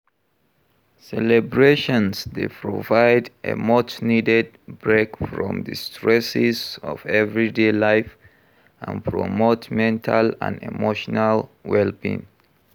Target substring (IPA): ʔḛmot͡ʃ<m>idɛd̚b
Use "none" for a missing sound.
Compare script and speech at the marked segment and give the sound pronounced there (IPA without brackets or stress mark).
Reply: n